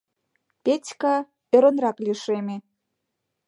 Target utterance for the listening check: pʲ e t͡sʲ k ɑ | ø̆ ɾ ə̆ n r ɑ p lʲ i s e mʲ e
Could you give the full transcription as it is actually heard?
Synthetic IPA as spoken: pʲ e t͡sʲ k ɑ | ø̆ ɾ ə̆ n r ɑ k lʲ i ʃ e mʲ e